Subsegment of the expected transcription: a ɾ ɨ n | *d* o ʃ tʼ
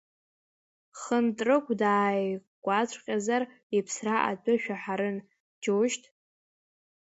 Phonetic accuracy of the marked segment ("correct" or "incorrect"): incorrect